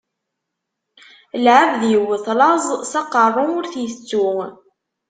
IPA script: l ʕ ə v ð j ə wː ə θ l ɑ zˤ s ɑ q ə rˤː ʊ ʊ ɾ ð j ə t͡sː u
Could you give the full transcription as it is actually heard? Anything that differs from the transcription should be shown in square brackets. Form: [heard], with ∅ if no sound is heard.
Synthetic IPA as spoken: l ʕ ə v ð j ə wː ə θ l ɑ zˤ s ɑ q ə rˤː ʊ ʊ ɾ [θ] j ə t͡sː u